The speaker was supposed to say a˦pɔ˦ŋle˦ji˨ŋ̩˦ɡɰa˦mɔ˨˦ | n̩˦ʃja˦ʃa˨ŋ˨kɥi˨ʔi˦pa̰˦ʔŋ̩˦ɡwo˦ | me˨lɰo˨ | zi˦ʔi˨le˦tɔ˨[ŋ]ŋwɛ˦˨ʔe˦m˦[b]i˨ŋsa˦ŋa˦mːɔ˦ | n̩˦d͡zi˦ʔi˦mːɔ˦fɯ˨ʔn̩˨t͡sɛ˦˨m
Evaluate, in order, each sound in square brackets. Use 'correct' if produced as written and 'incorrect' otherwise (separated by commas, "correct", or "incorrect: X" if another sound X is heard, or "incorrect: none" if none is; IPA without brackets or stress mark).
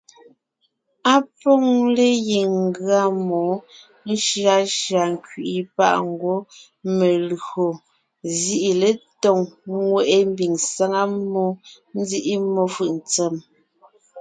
correct, correct